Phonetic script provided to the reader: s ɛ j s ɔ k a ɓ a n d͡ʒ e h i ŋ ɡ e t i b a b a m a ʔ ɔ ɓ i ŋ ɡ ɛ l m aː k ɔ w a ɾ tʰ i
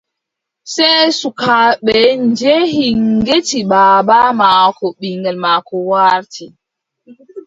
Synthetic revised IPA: s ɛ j s u k a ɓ ɛ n d͡ʒ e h i ŋ ɡ e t i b a b a m a k ɔ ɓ i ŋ ɡ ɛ l m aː k ɔ w a ɾ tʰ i